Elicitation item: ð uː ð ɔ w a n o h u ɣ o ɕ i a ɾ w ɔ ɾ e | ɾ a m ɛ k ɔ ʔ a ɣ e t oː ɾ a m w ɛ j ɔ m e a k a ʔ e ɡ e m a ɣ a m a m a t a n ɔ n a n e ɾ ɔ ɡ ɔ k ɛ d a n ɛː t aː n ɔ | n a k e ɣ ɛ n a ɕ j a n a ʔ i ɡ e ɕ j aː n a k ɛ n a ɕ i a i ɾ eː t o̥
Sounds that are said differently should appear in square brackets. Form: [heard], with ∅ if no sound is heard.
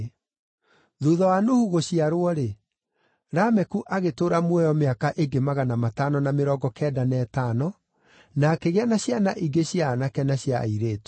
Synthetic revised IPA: ð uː ð ɔ w a n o h u ɣ o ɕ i a ɾ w ɔ ɾ e | ɾ a m ɛ k [u] ʔ a ɣ e t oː ɾ a m w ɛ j ɔ m e a k a ʔ e ɡ e m a ɣ a [n] a m a t a n ɔ n a [m] e ɾ ɔ ɡ ɔ k ɛ d a n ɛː t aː n ɔ | n a k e ɣ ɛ n a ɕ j a n a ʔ i ɡ e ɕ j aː n a k ɛ n a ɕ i a i ɾ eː t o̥